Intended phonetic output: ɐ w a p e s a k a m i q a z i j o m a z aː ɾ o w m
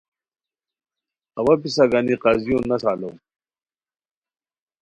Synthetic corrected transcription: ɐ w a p i s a ɡ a n i q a z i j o n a s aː l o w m